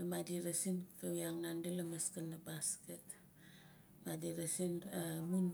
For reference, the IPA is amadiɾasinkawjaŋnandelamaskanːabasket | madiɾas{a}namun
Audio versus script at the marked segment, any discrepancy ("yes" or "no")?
yes